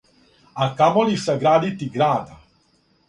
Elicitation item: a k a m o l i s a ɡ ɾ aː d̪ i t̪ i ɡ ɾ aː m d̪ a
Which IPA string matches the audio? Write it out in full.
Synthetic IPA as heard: a k a m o l i s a ɡ ɾ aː d̪ i t̪ i ɡ ɾ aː d̪ a